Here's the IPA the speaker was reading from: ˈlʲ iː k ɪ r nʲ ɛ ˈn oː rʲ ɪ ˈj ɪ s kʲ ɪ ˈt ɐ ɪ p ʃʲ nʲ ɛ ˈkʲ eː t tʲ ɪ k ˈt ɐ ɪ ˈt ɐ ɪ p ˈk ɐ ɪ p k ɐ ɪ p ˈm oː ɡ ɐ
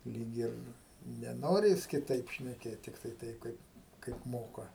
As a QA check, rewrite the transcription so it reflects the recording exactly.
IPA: ˈlʲ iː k ɪ r nʲ ɛ ˈn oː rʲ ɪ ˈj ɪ s kʲ ɪ ˈt ɐ ɪ p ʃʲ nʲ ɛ ˈkʲ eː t tʲ ɪ k ˈt ɐ ɪ ˈt ɐ ɪ p ˈk ɐ ɪ p k ɐ ɪ p ˈm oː k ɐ